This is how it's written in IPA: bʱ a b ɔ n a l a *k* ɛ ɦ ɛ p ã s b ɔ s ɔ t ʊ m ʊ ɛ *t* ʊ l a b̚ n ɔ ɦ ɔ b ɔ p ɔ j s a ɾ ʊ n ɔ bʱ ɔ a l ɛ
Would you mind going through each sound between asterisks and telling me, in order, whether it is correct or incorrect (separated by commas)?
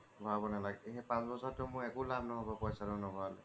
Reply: incorrect, incorrect